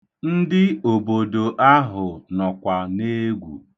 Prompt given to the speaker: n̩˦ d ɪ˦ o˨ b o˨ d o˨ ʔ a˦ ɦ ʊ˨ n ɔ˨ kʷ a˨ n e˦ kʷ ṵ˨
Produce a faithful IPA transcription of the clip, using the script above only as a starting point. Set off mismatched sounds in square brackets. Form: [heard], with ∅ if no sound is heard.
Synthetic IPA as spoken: n̩˦ d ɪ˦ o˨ b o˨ d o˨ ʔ a˦ ɦ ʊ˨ n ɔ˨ kʷ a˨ n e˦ [ɡʷ] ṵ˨